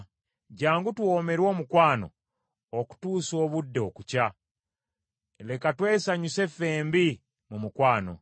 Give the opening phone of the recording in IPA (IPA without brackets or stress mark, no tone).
ɟ